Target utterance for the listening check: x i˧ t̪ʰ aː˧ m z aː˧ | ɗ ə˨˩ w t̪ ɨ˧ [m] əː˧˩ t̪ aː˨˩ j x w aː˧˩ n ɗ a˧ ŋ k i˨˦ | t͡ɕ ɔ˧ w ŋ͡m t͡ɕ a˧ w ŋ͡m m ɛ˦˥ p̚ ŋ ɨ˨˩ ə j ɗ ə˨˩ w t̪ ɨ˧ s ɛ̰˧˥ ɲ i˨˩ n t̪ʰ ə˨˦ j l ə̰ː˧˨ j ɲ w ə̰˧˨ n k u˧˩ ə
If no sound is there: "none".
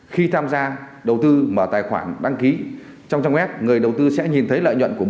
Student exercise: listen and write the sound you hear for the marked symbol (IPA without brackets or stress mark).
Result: m